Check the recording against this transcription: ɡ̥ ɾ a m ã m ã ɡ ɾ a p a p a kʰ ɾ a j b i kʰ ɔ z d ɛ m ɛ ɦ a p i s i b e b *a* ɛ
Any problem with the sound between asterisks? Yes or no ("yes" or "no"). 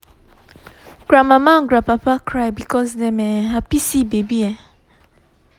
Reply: yes